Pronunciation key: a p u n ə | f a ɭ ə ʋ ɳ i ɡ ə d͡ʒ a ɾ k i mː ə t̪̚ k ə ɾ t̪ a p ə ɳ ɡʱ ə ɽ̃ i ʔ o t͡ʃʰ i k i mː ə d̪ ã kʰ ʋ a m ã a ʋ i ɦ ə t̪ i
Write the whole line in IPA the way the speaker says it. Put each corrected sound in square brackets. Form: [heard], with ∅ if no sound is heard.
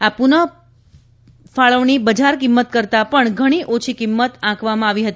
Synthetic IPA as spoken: a p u n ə | f a ɭ ə ʋ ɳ i [b] ə d͡ʒ a ɾ k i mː ə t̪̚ k ə ɾ t̪ a p ə ɳ ɡʱ ə ɽ̃ i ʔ o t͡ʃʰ i k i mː ə [t̪] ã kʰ ʋ a m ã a ʋ i ɦ ə t̪ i